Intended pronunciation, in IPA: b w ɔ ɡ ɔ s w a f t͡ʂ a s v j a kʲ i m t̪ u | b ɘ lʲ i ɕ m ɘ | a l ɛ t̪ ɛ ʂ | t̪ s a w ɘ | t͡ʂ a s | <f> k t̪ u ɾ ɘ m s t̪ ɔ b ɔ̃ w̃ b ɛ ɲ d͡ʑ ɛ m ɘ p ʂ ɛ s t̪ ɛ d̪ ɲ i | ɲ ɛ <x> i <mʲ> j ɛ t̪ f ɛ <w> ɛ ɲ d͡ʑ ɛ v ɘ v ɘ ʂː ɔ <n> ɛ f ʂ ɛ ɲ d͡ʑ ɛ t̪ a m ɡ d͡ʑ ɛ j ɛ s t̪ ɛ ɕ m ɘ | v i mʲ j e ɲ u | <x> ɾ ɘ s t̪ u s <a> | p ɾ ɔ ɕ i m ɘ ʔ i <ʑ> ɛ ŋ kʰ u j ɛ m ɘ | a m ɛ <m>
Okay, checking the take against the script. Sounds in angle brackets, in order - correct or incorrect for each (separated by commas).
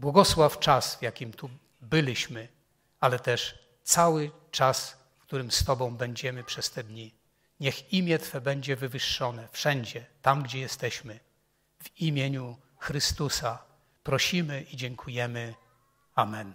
correct, correct, correct, incorrect, correct, correct, correct, incorrect, incorrect